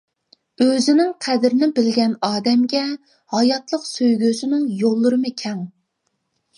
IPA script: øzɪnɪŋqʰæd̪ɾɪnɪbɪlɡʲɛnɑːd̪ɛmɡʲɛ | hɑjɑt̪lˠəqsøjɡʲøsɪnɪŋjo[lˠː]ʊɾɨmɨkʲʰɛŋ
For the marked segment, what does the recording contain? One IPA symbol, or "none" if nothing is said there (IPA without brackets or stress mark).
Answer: lˠː